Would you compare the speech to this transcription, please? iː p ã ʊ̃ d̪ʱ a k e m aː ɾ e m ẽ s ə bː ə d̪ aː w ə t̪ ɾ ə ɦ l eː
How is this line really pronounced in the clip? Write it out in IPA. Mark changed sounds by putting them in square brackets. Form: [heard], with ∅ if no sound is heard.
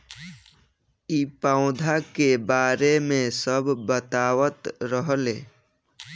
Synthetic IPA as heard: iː p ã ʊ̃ d̪ʱ a k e [b] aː ɾ e m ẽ s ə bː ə [t̪] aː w ə t̪ ɾ ə ɦ l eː